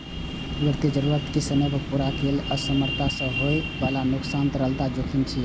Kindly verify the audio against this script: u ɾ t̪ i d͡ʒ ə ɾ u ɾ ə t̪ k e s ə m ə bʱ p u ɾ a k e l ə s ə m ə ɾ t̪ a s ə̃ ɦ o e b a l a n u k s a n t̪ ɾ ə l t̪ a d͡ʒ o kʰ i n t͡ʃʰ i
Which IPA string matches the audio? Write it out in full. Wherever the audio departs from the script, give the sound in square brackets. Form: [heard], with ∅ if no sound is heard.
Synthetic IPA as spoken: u ɾ t̪ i d͡ʒ ə ɾ u ɾ ə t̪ k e s ə m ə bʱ p u ɾ a k e l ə s ə m ə ɾ t̪ a s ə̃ ɦ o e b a l a n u k s a n t̪ ɾ ə l t̪ a d͡ʒ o kʰ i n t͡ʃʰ i